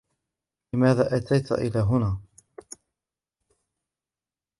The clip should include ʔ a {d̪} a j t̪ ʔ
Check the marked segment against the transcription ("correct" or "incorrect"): incorrect